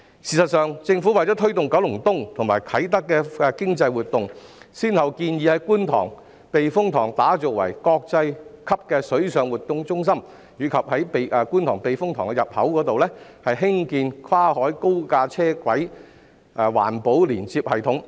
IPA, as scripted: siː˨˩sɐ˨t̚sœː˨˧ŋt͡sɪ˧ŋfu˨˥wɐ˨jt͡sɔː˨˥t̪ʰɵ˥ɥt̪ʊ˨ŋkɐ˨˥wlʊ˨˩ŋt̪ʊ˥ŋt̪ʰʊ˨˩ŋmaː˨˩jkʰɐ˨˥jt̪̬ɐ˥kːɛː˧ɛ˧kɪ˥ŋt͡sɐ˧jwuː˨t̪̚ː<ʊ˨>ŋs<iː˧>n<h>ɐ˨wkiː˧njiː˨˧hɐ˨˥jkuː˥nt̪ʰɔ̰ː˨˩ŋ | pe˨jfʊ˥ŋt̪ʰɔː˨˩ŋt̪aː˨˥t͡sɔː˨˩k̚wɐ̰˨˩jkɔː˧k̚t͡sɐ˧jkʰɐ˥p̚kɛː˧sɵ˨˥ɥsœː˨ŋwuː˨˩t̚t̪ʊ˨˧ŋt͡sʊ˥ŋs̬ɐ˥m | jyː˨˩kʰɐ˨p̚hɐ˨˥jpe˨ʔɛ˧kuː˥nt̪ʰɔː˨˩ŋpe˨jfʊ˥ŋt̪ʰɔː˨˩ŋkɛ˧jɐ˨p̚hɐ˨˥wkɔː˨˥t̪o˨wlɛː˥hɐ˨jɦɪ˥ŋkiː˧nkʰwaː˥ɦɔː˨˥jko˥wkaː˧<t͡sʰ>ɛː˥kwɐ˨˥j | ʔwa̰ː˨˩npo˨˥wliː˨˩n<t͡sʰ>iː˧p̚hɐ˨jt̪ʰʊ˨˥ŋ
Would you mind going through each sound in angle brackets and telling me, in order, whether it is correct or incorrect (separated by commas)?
correct, incorrect, correct, correct, incorrect